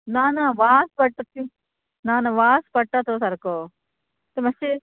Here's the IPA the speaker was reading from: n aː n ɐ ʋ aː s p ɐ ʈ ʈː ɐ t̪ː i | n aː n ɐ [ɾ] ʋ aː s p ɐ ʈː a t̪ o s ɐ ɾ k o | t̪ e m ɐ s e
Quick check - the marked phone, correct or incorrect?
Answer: incorrect: none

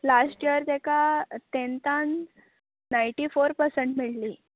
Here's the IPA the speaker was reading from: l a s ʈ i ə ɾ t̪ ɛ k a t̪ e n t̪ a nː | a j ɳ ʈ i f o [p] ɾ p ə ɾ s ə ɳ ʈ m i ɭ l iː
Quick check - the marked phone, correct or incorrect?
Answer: incorrect: none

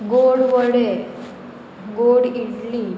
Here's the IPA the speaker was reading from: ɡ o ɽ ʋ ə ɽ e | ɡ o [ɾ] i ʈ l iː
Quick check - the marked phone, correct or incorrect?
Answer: incorrect: ɽ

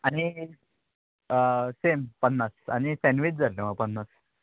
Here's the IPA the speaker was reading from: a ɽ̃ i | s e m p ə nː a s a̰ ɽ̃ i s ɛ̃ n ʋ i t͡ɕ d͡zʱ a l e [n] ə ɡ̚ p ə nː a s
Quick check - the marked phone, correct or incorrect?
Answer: incorrect: m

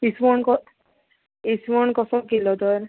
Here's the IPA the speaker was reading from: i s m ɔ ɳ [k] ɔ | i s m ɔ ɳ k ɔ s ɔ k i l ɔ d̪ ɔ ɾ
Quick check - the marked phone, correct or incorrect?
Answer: correct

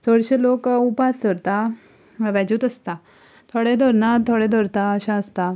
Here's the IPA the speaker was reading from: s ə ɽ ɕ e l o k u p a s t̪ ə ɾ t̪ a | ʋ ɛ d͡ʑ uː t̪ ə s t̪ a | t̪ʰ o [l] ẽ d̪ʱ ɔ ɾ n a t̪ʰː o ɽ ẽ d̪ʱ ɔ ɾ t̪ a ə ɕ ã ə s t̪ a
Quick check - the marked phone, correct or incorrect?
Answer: incorrect: ɽ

